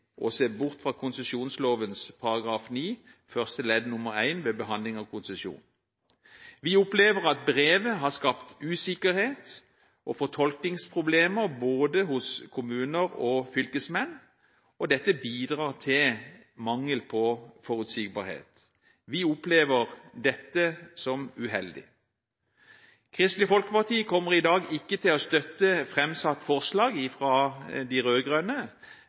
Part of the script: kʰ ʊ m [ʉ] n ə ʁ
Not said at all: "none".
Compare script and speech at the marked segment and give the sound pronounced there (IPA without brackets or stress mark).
ʉː